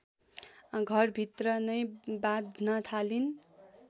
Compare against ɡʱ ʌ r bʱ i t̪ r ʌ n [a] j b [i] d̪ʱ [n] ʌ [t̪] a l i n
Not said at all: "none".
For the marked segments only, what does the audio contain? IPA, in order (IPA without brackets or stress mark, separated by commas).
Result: ʌ, a, n, t̪ʰ